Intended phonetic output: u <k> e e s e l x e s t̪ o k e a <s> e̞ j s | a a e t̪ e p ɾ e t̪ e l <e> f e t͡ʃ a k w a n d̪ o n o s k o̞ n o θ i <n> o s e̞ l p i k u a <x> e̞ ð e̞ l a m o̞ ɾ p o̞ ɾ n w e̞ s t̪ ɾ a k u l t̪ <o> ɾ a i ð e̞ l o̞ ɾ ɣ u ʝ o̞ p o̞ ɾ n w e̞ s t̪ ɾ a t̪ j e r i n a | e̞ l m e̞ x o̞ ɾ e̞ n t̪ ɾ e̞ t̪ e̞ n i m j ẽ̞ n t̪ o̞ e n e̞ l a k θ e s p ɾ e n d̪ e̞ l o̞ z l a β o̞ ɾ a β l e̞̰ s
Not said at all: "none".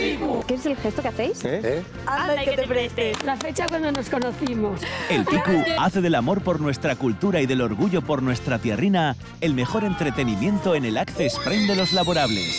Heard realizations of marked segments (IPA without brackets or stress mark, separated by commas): k, θ, a, m, θ, u